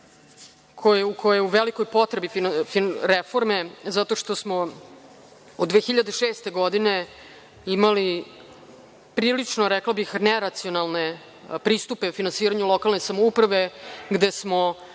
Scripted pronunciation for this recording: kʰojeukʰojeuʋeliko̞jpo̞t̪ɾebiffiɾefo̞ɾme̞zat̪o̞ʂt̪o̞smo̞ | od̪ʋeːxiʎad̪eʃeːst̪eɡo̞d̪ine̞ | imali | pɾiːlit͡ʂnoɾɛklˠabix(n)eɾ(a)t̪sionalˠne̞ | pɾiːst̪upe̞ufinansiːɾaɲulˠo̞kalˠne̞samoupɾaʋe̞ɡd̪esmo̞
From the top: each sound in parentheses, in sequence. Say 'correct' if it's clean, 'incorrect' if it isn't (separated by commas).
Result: correct, correct